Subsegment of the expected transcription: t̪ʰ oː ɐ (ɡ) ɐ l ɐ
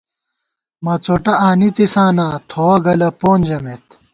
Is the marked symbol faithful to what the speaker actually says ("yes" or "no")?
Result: yes